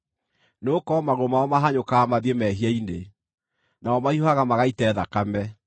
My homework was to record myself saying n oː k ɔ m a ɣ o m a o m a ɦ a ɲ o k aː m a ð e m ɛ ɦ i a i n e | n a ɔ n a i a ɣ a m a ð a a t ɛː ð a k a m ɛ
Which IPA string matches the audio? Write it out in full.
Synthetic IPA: n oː k ɔ m a ɣ o m a ɔ m a ɦ a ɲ o k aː m a ð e m ɛ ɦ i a i n e | n a ɔ m a i a ɣ a m a ɣ a i t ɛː ð a k a m ɛ